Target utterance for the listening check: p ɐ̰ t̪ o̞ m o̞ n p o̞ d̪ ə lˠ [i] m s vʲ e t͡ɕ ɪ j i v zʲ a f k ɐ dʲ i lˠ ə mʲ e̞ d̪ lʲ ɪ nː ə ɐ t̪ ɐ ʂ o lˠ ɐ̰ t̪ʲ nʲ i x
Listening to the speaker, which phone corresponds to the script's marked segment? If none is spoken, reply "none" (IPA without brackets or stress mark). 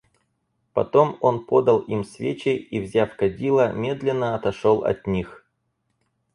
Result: i